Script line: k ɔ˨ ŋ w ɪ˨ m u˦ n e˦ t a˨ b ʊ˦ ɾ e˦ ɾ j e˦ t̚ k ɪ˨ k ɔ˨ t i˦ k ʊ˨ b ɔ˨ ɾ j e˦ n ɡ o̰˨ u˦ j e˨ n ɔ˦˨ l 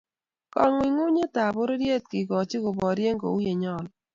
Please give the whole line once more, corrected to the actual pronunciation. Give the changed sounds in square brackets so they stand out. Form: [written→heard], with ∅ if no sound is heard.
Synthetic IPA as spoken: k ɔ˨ ŋ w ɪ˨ [m→ŋ] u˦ [n→ɲ] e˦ t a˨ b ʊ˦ ɾ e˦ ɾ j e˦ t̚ k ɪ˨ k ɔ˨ [t→t͡ʃ] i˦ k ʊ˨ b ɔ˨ ɾ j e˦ [n→ŋ] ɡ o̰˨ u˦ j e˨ [n→ɲ] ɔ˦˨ l